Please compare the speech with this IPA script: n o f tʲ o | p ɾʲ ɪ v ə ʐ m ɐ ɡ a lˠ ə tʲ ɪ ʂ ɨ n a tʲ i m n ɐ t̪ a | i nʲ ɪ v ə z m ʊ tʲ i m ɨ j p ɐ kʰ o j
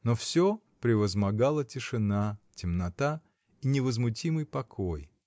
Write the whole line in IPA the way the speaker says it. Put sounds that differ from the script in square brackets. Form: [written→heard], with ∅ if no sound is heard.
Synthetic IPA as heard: n o f [tʲ→sʲ] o | p ɾʲ ɪ v ə [ʐ→z] m ɐ ɡ a lˠ ə tʲ ɪ ʂ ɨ n a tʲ [i→ɪ] m n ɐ t̪ a | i nʲ ɪ v ə z m ʊ tʲ i m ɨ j p ɐ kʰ o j